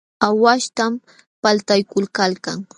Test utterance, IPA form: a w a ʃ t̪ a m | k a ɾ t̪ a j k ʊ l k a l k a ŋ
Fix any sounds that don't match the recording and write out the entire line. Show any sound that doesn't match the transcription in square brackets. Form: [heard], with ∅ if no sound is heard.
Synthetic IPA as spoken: a w a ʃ t̪ a m | [p] a [l] t̪ a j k ʊ l k a l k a ŋ